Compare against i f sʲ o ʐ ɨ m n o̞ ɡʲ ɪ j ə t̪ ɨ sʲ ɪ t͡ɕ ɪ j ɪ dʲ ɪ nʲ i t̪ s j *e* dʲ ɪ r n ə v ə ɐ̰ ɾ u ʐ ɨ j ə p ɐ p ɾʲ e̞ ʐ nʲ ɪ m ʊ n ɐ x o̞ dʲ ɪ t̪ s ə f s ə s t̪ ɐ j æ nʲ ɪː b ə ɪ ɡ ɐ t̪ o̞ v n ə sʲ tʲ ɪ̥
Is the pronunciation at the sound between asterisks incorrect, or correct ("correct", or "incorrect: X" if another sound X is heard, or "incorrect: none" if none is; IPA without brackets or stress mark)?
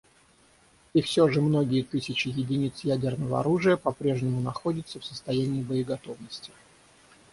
incorrect: æ